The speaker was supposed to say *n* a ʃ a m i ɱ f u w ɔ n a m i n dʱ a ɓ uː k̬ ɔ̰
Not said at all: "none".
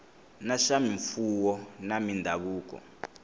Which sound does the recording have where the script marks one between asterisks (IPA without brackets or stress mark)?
n